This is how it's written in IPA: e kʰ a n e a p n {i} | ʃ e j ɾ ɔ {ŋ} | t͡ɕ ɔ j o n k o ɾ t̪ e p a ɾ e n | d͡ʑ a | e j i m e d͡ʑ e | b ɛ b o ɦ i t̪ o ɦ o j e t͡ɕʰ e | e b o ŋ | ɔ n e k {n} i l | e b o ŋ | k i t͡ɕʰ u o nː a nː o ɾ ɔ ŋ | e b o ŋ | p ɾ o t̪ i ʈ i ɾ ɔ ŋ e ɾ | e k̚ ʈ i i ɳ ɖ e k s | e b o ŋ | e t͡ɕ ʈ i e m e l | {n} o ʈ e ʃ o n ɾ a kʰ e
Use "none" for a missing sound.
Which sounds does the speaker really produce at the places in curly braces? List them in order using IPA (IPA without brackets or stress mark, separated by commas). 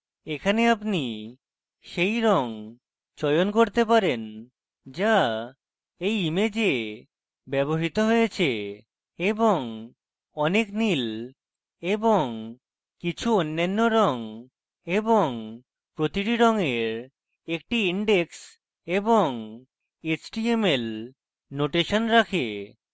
i, ŋ, n, n